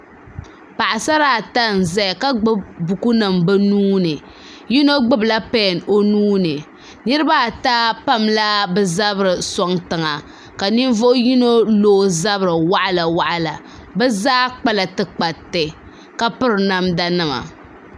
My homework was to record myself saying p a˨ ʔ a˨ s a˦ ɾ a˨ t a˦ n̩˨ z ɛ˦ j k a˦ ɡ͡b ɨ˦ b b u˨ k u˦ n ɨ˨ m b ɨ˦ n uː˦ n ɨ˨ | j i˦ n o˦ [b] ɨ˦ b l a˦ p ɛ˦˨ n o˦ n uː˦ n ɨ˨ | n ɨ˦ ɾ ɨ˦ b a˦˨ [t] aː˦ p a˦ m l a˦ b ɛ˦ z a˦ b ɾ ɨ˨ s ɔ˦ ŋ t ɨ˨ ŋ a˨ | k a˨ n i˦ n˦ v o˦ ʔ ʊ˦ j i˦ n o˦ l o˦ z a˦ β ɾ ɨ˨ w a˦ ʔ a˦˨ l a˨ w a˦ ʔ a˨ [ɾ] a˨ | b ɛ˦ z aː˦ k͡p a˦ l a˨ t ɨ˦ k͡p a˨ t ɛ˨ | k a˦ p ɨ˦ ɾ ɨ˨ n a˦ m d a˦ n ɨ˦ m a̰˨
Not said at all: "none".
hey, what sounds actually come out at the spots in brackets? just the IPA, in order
ɡ͡b, t, l

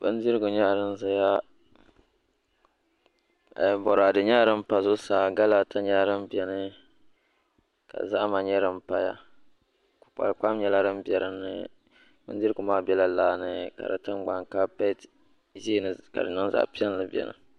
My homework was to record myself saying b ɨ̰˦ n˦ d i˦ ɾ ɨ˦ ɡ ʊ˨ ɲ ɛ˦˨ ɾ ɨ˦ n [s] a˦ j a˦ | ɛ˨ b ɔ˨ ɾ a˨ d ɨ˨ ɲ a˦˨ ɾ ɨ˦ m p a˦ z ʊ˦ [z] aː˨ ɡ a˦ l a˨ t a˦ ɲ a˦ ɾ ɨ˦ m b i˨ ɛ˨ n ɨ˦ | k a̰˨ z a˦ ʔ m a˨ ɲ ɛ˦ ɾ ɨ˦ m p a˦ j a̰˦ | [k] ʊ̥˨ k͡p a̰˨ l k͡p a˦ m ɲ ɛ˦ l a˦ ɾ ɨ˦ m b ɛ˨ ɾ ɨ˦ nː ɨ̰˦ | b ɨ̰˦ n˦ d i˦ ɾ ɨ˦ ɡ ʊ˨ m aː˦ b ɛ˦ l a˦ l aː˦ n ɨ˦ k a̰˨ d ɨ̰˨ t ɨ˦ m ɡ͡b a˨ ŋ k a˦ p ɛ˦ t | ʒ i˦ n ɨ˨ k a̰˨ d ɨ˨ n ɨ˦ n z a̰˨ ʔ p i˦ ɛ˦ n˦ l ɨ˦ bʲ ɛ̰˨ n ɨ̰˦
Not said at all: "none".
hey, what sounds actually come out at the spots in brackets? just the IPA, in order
z, s, k

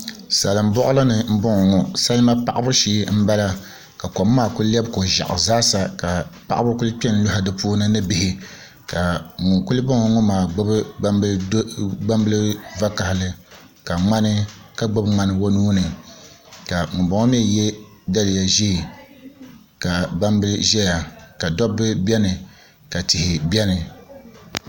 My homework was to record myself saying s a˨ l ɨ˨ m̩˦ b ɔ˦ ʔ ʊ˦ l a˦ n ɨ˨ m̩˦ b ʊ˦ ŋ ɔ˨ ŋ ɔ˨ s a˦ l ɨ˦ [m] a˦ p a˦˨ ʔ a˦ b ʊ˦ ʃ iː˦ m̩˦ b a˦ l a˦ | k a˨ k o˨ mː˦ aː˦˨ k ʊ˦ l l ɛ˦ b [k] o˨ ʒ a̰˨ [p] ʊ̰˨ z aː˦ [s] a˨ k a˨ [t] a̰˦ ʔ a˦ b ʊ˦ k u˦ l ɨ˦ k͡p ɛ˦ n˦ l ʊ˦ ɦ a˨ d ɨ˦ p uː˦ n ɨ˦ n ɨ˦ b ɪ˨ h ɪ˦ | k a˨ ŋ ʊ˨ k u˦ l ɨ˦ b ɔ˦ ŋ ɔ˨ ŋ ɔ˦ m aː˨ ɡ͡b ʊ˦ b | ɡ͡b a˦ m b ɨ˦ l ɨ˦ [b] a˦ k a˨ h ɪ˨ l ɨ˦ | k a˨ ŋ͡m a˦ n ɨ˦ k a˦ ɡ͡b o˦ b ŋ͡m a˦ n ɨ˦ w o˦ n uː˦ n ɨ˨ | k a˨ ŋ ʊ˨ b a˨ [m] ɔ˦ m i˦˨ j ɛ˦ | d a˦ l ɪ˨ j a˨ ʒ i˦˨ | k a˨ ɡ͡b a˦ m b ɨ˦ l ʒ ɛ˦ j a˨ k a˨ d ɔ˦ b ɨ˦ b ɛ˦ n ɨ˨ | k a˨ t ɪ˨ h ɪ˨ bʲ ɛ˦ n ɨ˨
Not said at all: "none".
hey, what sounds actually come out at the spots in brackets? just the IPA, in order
m, k, ʔ, s, p, v, ŋ

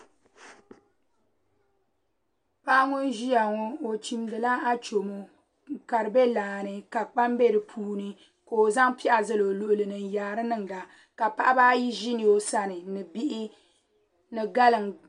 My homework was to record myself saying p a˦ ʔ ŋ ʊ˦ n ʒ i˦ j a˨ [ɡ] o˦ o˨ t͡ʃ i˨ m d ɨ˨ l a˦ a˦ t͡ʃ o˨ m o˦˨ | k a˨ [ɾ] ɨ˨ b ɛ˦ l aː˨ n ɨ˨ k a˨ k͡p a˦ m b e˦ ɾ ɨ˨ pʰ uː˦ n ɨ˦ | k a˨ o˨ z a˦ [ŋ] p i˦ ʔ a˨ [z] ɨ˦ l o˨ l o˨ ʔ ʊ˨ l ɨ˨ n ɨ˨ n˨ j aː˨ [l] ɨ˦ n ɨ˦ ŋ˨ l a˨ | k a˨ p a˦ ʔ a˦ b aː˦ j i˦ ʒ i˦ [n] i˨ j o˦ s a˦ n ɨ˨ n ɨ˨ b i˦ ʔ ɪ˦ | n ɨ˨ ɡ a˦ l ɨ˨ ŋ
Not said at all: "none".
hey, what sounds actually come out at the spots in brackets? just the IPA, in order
ŋ, ɾ, ŋ, z, ɾ, n

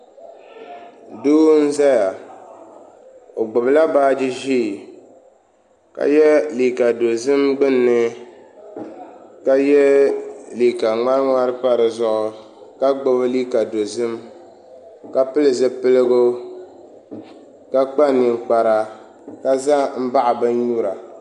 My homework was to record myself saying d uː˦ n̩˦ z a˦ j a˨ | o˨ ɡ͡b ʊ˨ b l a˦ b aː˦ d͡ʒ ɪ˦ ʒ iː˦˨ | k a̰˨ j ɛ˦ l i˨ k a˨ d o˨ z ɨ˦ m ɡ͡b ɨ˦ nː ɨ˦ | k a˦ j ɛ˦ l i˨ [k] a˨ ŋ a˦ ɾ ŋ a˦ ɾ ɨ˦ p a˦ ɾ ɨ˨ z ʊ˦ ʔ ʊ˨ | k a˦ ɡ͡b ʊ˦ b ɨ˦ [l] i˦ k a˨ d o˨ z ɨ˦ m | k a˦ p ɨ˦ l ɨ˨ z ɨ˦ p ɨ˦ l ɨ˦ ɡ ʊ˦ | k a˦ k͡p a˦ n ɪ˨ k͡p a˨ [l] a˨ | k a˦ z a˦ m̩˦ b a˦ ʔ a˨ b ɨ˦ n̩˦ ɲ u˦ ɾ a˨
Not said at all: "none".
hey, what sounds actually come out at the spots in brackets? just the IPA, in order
k, l, ɾ

